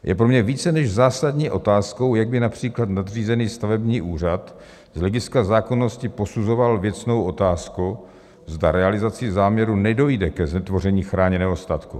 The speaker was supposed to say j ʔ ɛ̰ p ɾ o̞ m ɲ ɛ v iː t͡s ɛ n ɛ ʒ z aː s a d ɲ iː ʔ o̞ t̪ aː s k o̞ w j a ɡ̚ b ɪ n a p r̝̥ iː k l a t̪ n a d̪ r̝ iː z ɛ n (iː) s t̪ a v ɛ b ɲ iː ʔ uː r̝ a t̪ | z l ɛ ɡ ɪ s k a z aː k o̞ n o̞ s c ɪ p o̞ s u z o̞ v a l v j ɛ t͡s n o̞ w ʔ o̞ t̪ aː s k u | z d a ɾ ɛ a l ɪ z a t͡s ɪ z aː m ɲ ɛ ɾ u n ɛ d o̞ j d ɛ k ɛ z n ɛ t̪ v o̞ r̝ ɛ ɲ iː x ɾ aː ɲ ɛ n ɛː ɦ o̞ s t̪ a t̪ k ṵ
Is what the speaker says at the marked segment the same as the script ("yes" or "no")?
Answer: yes